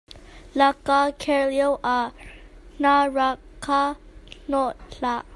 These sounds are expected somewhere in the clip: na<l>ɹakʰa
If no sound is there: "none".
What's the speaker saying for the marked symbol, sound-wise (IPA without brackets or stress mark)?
none